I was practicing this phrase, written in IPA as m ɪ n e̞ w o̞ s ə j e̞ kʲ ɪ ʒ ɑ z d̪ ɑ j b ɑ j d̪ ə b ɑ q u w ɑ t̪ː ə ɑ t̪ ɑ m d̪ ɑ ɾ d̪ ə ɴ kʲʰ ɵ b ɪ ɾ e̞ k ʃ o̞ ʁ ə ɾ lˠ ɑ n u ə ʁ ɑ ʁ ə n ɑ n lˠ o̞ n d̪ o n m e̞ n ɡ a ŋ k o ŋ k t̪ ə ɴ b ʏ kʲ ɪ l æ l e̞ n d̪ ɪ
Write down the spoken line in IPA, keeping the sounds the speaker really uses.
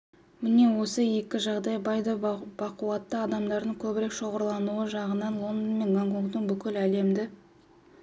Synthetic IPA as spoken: m ɪ n e̞ w o̞ s ə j e̞ kʲ ɪ ʒ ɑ ʁ d̪ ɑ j b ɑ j d̪ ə b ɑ q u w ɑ t̪ː ə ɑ d̪ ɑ m d̪ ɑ ɾ d̪ ə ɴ kʲʰ ɵ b ɪ ɾ e̞ k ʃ o̞ ʁ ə ɾ lˠ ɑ n u ə ʒ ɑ ʁ ə n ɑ n lˠ o̞ n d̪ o n m e̞ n ɡ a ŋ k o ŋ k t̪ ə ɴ b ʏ kʲ ɪ l æ l e̞ m d̪ ɪ